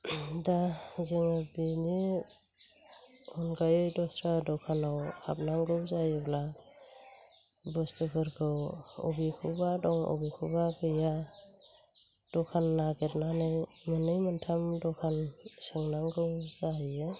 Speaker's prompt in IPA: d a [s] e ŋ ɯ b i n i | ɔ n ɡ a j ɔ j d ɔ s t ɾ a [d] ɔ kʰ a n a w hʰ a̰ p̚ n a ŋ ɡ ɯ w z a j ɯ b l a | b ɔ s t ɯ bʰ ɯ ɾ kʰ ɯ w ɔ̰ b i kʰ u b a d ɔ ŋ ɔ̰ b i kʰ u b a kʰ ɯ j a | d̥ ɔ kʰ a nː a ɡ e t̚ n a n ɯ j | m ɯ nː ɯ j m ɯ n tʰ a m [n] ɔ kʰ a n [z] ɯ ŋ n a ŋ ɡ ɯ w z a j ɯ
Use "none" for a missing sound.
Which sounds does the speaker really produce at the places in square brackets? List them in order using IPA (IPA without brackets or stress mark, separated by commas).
z, d, d, s